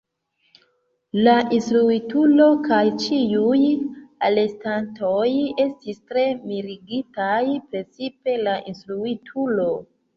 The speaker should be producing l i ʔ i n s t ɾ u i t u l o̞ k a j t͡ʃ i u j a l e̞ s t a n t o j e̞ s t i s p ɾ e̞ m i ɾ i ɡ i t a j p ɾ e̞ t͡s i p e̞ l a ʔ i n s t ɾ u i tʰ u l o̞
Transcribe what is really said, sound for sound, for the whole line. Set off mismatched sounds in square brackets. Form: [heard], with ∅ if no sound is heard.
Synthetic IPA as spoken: l [a] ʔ i n s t ɾ u i t u l o̞ k a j t͡ʃ i u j a l e̞ s t a n t o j e̞ s t i s [t] ɾ e̞ m i ɾ i ɡ i t a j p ɾ e̞ t͡s i p e̞ l a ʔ i n s t ɾ u i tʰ u l o̞